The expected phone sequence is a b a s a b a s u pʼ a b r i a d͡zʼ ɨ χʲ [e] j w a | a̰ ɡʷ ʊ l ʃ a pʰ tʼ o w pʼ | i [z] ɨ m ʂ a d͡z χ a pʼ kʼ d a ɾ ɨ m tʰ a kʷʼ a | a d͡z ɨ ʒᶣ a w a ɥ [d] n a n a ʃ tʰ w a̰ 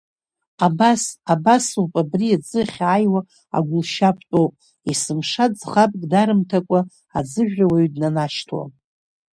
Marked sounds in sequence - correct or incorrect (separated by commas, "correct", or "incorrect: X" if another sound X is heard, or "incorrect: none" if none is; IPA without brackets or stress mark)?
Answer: incorrect: a, incorrect: s, correct